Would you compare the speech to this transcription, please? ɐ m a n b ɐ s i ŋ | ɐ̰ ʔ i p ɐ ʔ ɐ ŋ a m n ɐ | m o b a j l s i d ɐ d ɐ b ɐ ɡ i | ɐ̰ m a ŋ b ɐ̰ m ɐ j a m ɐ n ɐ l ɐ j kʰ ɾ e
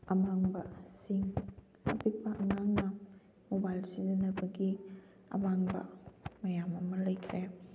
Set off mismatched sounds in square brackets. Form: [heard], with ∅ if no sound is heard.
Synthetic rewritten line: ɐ m a [ŋ] b ɐ s i ŋ | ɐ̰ [p] i p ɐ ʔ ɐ ŋ a [ŋ] n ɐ | m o b a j l s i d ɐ [n] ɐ b ɐ ɡ i | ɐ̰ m a ŋ b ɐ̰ m ɐ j a m ɐ [m] ɐ l ɐ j kʰ ɾ e